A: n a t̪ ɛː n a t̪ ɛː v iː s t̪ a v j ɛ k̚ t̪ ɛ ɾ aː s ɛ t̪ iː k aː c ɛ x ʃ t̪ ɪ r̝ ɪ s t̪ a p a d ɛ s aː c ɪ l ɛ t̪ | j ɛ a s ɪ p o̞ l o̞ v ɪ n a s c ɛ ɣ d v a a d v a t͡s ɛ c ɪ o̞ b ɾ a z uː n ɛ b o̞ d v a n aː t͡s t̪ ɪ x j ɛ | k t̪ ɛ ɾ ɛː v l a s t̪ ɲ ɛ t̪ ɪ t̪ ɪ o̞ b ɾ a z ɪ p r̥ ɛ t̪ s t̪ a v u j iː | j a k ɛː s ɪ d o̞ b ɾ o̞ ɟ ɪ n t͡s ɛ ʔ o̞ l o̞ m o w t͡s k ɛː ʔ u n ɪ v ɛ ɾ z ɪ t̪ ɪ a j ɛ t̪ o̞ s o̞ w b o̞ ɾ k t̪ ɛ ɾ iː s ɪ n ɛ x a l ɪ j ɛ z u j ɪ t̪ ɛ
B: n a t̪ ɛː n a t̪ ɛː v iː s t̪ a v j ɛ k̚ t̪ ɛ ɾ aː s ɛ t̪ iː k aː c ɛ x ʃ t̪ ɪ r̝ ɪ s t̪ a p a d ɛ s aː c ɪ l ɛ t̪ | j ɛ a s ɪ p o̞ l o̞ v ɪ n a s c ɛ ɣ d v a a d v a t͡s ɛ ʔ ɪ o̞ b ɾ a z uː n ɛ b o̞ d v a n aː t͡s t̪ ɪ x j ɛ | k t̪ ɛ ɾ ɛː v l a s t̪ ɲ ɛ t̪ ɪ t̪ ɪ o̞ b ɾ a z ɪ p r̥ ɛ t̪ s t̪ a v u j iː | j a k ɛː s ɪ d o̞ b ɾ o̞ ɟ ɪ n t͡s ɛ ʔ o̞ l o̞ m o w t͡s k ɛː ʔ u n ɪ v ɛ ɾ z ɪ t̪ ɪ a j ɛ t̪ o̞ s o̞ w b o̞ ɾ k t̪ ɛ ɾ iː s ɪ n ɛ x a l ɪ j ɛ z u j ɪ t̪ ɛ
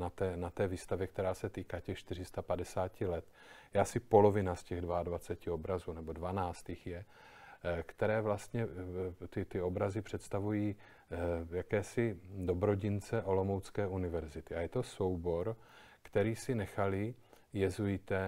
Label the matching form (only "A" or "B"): A